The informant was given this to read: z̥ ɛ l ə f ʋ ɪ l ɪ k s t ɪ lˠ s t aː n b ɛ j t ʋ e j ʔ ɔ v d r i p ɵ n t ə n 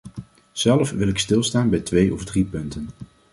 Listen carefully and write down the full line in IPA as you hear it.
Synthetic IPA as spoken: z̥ ɛ l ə f ʋ ɪ l ɪ k s t ɪ lˠ s t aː n b ɛ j t ʋ e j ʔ ɔ v d r i p ɵ n t ə n